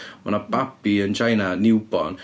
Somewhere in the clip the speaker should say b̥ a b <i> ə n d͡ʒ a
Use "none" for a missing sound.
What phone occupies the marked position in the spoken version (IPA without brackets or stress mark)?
i